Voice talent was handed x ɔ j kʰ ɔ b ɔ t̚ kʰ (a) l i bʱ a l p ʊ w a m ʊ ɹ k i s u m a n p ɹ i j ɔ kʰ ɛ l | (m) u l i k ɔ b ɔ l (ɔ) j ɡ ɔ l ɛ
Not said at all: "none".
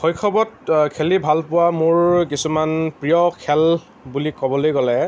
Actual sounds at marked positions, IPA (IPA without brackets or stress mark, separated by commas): e, b, o